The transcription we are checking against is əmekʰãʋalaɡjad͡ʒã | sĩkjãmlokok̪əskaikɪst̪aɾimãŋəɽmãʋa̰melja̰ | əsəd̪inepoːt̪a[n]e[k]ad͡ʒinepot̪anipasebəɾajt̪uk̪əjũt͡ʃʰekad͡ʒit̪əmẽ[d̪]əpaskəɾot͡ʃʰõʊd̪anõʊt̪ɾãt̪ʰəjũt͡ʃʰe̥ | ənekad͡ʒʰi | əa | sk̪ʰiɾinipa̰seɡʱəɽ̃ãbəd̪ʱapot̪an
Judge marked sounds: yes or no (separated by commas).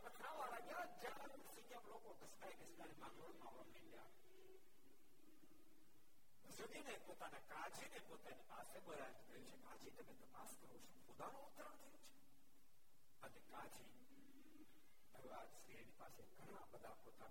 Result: yes, yes, no